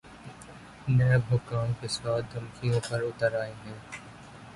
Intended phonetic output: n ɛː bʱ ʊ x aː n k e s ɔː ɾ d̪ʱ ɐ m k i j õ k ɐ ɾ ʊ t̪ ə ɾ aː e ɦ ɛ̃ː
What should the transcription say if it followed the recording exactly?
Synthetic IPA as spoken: n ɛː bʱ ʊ k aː n k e s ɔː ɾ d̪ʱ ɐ m k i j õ p ɐ ɾ ʊ t̪ ə ɾ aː e ɦ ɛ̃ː